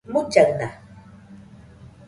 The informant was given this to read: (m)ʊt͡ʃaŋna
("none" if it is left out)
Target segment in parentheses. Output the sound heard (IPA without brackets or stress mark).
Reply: m